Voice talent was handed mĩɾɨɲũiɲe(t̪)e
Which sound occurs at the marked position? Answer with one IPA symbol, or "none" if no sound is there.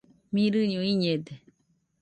d̪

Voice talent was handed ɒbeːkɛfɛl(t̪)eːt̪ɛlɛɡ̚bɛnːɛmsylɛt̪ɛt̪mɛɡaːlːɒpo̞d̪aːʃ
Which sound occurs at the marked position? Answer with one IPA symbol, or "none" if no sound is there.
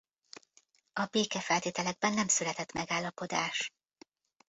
t̪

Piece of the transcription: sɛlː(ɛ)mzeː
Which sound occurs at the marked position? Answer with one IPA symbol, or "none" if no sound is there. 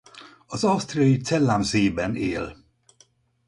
a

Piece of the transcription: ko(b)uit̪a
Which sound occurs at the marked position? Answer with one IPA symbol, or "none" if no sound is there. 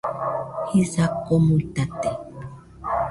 m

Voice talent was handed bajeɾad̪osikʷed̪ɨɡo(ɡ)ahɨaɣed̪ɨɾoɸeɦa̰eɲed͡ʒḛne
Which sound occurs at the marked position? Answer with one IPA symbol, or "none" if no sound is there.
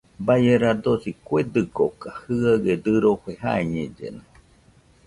k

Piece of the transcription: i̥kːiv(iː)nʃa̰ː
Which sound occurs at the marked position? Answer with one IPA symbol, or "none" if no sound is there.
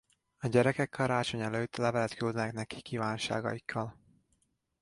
aː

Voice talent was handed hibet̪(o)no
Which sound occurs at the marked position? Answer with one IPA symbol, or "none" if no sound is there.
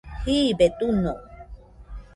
u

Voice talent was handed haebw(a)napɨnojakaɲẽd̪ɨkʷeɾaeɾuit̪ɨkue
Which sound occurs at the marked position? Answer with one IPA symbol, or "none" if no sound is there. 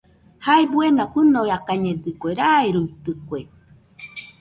e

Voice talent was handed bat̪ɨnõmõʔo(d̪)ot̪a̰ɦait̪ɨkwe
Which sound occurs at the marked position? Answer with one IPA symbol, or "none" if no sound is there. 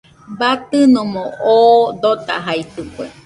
d̪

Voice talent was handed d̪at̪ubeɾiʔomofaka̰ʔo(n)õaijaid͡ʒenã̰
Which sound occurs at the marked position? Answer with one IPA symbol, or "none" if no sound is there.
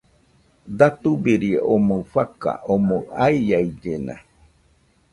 m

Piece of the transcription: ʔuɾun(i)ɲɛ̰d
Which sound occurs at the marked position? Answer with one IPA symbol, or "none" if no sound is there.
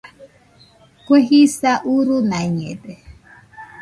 a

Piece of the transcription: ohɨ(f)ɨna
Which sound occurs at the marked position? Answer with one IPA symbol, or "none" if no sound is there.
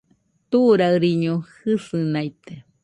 s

